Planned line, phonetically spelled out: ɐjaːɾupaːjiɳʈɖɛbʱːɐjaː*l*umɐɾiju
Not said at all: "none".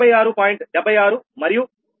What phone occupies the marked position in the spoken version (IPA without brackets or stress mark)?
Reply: ɾ